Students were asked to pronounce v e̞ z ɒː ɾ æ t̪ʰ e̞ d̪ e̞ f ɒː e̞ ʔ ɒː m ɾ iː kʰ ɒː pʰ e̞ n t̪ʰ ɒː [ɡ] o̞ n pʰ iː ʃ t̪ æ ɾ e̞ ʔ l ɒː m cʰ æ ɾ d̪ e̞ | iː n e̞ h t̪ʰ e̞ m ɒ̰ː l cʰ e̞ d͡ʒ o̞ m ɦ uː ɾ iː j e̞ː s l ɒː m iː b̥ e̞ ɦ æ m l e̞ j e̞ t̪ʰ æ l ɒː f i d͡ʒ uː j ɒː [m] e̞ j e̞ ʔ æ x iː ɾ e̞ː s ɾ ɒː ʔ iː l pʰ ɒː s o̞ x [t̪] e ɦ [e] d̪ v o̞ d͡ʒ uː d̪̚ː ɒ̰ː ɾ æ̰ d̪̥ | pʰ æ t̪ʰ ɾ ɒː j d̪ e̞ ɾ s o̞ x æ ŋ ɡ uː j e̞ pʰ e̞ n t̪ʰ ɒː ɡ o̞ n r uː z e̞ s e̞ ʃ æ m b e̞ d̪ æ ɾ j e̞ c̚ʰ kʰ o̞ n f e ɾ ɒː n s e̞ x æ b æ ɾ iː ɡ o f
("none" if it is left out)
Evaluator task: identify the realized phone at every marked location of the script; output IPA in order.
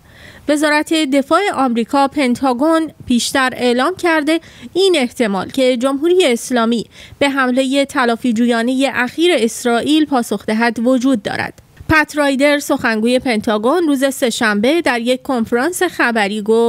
ɡ, n, d̪, æ

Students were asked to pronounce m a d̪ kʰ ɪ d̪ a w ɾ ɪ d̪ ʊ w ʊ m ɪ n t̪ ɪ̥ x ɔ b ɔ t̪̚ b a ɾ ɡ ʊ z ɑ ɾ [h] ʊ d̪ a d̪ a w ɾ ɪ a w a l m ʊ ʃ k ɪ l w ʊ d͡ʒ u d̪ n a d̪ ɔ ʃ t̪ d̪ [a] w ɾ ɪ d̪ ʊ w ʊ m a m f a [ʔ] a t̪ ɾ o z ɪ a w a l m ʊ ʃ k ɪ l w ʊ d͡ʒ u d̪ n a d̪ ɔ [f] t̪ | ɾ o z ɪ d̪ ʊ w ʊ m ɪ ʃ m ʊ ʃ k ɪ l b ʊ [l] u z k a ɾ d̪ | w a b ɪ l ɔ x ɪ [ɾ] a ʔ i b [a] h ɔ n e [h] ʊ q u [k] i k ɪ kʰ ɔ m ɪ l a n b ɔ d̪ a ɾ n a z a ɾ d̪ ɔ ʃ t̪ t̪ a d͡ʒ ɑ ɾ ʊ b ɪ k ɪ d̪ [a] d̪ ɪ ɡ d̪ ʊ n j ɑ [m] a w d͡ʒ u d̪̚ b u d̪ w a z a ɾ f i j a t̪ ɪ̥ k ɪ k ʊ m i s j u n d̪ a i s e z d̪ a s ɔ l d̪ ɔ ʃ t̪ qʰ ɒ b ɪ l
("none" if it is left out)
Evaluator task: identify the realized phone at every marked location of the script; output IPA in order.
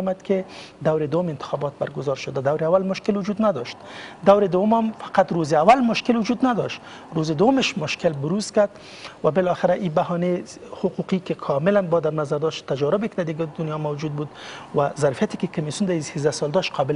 ʃ, a, q, ʃ, ɾ, ɾ, a, h, q, a, m

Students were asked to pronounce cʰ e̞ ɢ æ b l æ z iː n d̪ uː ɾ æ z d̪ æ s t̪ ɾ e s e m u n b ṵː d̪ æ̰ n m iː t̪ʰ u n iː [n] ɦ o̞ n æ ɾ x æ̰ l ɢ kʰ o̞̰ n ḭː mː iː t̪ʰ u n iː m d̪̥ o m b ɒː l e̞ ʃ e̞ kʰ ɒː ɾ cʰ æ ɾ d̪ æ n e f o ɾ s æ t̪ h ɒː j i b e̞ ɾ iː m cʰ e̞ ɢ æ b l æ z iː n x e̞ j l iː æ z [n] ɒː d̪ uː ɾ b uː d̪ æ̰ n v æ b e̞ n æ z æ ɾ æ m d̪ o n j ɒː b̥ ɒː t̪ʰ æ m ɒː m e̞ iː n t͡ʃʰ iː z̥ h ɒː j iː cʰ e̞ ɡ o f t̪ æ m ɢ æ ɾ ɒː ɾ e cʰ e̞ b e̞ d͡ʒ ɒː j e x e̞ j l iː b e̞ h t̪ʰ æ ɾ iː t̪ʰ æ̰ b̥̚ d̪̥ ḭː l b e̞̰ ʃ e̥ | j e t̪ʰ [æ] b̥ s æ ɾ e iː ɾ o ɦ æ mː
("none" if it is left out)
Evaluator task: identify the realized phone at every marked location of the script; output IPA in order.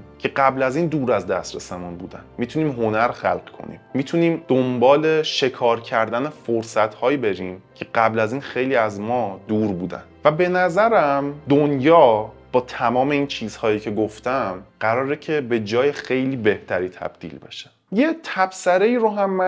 m, m, æ

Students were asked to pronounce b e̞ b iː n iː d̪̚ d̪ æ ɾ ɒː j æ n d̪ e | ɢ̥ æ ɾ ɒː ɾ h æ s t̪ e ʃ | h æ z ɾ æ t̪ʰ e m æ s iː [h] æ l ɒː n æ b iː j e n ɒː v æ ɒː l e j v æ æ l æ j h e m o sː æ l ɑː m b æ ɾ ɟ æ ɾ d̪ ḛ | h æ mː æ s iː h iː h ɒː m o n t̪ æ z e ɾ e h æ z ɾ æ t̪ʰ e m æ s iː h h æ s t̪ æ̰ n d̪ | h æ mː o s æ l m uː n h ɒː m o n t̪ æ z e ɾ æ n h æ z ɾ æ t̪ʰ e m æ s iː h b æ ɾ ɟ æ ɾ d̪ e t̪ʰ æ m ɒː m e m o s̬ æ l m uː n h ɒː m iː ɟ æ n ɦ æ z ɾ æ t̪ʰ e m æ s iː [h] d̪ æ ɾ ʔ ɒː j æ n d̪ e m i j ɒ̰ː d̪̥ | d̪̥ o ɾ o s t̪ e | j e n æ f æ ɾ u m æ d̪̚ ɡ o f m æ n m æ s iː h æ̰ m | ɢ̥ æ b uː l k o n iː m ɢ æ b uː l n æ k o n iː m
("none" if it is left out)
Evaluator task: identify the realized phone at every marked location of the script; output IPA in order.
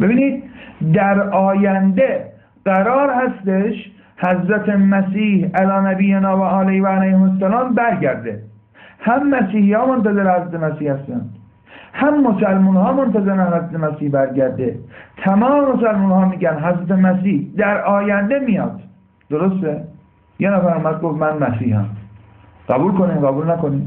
h, h

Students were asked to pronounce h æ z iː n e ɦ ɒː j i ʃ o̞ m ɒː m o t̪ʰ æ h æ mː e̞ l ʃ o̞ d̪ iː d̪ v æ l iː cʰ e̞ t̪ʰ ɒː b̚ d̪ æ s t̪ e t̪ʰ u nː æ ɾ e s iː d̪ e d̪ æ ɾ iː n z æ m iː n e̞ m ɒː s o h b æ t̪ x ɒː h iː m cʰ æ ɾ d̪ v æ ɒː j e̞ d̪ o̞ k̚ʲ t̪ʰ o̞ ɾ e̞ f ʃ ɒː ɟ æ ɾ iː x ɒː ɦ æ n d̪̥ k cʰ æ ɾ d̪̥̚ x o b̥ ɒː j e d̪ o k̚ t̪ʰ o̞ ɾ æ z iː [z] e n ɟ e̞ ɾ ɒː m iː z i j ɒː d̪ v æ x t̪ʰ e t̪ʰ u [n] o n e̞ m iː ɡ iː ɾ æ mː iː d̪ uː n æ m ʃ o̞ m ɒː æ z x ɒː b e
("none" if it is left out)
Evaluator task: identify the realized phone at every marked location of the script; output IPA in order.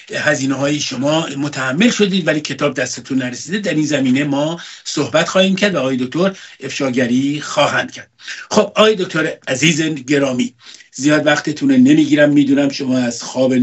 z, n

